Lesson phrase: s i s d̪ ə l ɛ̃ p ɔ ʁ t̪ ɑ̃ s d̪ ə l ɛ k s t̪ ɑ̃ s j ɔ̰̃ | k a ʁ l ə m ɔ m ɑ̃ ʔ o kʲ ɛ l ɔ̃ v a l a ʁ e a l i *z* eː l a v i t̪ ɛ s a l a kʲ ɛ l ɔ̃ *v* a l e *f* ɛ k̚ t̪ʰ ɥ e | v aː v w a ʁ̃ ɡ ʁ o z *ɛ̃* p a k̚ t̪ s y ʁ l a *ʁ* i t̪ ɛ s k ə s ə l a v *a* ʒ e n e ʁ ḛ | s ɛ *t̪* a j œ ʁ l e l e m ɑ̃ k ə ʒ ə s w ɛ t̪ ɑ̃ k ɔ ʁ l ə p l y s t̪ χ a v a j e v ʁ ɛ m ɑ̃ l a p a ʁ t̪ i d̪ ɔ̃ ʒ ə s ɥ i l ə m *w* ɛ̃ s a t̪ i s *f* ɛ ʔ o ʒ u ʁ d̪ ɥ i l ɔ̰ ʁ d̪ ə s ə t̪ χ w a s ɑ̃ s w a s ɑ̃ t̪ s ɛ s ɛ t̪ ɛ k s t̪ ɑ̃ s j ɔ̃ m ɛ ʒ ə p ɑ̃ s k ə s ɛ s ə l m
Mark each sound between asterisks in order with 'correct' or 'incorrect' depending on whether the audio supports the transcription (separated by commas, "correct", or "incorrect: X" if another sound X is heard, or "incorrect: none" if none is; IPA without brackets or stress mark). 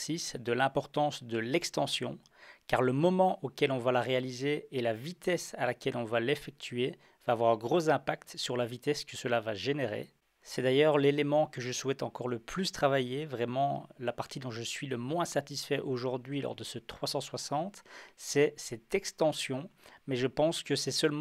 correct, correct, correct, correct, incorrect: v, correct, incorrect: d̪, correct, correct